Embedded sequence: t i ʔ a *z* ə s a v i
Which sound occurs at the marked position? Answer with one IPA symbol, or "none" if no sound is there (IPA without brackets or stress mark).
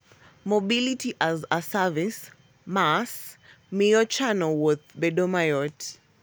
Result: z